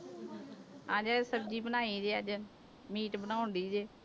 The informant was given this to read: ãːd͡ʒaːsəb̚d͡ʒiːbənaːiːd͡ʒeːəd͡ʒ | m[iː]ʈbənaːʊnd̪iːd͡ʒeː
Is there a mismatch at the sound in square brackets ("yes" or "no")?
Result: no